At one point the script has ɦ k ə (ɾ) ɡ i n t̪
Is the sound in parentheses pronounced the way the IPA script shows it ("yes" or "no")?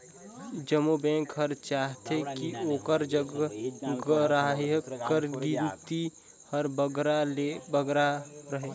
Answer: yes